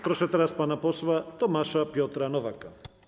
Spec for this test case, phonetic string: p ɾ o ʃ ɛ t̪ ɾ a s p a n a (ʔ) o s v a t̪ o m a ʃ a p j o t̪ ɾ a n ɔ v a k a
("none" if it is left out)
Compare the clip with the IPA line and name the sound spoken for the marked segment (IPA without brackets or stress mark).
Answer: p